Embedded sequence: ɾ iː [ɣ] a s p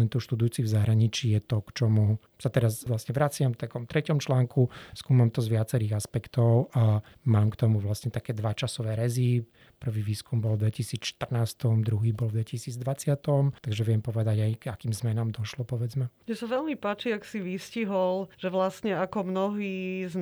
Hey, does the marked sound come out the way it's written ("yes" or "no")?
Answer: yes